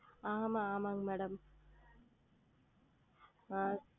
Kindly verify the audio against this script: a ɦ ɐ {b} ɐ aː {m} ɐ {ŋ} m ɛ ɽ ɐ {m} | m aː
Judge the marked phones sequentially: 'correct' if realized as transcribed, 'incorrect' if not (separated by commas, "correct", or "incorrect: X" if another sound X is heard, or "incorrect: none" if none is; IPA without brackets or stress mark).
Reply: incorrect: m, correct, correct, correct